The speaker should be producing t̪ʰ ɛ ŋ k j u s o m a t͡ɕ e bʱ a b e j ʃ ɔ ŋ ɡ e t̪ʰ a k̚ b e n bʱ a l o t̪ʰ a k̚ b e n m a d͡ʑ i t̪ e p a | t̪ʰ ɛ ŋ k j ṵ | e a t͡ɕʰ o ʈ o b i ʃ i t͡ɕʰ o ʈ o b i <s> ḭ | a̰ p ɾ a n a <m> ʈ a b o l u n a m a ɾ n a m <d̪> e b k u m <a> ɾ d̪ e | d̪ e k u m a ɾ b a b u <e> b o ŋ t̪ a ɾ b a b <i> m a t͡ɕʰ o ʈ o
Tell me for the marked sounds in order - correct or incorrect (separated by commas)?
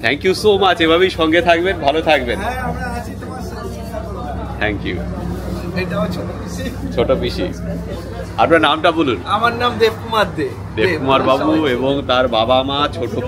incorrect, correct, correct, correct, correct, incorrect